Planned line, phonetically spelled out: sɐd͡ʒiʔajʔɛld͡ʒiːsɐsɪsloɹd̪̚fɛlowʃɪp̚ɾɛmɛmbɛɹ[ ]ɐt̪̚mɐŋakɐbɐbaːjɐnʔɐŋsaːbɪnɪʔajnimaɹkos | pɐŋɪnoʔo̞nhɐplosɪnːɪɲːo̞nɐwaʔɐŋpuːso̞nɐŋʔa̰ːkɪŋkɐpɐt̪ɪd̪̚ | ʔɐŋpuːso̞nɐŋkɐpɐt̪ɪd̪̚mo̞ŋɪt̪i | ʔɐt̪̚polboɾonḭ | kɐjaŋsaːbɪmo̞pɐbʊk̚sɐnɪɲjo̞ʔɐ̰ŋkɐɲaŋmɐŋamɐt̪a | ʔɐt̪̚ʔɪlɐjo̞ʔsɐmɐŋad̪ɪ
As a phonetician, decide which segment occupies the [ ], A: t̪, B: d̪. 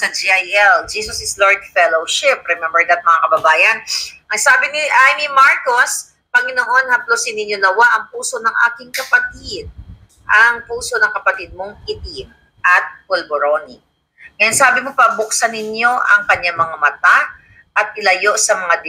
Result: B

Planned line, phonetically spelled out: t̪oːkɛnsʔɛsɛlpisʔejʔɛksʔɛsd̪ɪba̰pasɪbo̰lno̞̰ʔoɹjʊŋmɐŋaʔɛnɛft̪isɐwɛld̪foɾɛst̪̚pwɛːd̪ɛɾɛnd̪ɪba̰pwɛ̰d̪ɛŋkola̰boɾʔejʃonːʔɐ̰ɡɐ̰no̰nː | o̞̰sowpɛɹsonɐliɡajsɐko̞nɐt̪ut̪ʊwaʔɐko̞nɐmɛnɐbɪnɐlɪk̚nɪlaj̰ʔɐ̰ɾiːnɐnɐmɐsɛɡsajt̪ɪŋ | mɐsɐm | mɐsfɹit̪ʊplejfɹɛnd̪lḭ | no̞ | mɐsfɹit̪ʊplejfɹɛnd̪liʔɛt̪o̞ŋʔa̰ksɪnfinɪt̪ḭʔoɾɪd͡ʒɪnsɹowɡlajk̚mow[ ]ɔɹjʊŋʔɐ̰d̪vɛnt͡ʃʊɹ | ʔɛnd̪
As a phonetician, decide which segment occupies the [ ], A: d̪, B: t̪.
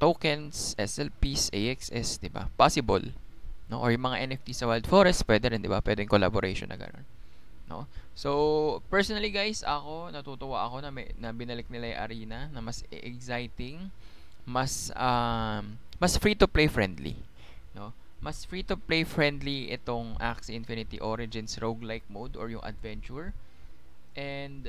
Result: A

